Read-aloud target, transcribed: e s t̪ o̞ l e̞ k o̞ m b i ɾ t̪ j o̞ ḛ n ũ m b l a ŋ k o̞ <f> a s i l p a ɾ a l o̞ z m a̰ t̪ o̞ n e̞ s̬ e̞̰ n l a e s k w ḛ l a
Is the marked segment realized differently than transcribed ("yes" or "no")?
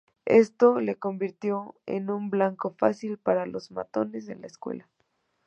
no